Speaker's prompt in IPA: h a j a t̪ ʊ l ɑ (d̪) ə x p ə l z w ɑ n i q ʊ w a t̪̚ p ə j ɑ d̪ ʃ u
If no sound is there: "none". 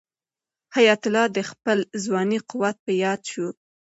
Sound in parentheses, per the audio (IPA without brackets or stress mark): d̪